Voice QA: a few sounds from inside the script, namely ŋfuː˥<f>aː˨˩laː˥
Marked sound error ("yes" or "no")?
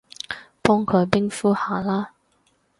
yes